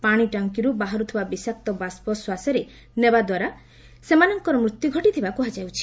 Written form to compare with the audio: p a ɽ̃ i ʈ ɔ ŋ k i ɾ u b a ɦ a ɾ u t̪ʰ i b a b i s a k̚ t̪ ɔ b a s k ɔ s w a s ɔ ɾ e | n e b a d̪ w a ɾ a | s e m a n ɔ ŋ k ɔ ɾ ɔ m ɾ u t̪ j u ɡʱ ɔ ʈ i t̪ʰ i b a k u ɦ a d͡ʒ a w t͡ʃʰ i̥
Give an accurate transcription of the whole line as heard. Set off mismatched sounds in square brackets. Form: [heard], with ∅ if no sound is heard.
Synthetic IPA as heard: p a ɽ̃ i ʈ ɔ ŋ k i ɾ u b a ɦ a ɾ u t̪ʰ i b a b i s a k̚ t̪ ɔ b a s [p] ɔ s w a s ɔ ɾ e | n e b a d̪ w a ɾ a | s e m a n ɔ ŋ k ɔ ɾ ɔ m ɾ u t̪ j u ɡʱ ɔ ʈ i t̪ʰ i b a k u ɦ a d͡ʒ a w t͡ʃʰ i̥